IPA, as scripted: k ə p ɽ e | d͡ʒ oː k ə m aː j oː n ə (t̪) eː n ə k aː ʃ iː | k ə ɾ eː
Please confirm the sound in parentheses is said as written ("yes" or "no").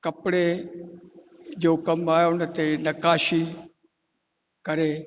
yes